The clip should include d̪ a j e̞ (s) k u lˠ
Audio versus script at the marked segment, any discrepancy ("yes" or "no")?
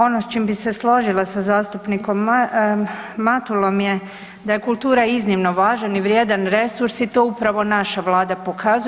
yes